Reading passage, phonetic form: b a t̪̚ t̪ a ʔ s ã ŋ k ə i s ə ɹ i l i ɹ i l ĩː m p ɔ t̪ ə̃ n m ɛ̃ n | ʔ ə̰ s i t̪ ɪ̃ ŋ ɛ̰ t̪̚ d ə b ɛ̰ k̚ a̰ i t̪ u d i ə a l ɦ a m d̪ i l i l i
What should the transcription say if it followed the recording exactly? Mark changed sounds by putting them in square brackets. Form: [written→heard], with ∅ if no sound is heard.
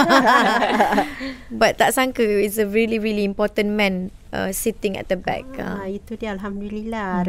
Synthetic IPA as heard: b a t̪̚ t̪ a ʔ s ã ŋ k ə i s ə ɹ i l i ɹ i l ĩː m p ɔ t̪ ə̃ n m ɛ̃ n | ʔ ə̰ s i t̪ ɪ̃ ŋ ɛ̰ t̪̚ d ə b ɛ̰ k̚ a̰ i t̪ u d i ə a l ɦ a m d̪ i l i l [i→a]